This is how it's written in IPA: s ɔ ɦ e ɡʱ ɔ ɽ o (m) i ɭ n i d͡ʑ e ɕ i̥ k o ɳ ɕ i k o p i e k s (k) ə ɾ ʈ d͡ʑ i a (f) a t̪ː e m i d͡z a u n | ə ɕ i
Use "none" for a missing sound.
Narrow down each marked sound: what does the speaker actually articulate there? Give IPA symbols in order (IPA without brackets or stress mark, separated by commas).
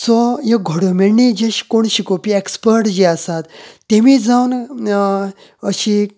m, p, s